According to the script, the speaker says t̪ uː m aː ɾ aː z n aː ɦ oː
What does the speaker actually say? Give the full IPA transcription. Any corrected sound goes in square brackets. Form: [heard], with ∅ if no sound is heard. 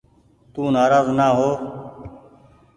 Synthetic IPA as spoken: t̪ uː [n] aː ɾ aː z n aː ɦ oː